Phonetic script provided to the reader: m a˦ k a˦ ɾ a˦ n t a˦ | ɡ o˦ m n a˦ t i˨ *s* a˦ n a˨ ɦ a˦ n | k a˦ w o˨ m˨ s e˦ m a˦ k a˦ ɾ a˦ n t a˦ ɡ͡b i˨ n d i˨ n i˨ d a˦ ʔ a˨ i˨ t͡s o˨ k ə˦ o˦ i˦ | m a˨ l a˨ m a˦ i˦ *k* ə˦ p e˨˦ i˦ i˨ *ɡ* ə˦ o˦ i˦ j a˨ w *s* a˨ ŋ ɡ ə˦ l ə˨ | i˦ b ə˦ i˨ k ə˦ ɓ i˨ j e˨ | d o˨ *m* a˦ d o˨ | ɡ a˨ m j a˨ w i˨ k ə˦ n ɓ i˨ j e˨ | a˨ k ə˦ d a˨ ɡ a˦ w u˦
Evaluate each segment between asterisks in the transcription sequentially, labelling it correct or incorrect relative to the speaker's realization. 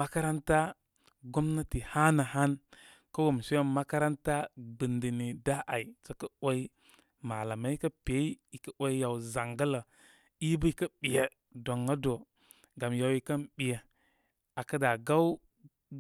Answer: incorrect: h, correct, incorrect: k, incorrect: z, incorrect: ŋ

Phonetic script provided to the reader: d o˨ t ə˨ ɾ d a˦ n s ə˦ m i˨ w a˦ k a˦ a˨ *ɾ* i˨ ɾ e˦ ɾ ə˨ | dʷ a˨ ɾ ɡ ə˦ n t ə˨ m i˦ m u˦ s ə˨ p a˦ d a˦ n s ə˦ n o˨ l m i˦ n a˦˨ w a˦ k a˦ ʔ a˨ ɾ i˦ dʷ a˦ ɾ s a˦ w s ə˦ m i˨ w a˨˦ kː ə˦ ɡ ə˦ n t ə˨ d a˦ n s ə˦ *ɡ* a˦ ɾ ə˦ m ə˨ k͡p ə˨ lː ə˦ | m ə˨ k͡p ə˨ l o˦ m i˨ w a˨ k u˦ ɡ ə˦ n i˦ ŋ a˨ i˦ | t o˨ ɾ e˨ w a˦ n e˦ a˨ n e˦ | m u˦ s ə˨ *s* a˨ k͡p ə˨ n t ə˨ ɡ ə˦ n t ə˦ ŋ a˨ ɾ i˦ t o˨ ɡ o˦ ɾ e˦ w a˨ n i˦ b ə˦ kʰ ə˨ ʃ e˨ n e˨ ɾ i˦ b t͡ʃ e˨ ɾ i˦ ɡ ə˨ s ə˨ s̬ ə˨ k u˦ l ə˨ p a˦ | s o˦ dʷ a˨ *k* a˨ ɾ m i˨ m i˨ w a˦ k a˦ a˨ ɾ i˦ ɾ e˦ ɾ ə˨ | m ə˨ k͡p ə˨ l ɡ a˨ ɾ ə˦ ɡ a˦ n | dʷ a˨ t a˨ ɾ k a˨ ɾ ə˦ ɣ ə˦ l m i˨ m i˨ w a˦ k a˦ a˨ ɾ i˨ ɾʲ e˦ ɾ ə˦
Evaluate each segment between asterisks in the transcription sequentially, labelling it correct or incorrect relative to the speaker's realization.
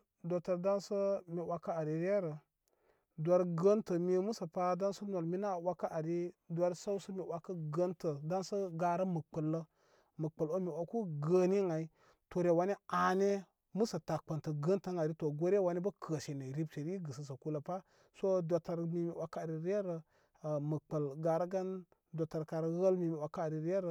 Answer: correct, correct, incorrect: t, incorrect: t

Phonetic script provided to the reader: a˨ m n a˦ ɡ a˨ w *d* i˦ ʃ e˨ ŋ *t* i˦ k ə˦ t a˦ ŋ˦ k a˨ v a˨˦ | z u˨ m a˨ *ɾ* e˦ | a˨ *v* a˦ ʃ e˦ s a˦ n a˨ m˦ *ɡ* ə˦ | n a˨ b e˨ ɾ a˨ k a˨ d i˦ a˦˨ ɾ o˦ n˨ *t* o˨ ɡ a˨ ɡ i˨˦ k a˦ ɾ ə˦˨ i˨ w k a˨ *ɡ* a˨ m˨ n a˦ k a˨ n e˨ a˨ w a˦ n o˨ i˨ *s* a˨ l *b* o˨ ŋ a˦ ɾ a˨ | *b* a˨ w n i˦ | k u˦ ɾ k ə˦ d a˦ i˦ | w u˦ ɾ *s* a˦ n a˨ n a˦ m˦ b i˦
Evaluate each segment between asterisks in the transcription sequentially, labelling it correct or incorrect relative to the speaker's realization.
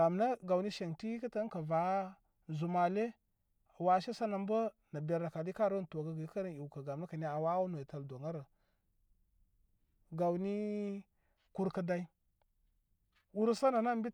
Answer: incorrect: n, correct, incorrect: l, incorrect: w, incorrect: b, correct, correct, incorrect: t, incorrect: d, incorrect: ɡ, correct

